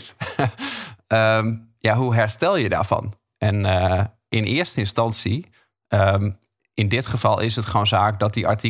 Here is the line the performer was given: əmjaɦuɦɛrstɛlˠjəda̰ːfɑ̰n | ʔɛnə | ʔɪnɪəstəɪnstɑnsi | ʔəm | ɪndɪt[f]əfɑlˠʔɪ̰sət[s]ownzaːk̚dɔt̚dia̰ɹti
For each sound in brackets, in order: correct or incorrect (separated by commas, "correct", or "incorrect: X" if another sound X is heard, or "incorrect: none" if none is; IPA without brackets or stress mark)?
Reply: incorrect: χ, incorrect: χ